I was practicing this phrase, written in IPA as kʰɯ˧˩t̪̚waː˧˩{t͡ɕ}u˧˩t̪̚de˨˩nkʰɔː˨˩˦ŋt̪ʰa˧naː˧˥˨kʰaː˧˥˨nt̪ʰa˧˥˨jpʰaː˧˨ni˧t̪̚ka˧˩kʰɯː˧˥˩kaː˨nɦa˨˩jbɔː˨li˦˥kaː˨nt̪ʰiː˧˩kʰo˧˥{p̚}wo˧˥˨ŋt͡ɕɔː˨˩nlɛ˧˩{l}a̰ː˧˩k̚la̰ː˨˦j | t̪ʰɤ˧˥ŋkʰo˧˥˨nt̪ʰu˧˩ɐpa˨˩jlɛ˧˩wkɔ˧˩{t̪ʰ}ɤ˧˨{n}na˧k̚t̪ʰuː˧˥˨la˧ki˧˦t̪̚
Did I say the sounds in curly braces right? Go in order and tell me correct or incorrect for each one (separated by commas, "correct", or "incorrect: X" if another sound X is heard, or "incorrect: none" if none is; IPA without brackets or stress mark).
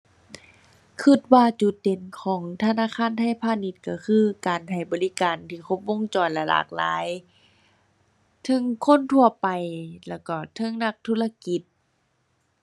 correct, correct, correct, correct, incorrect: ŋ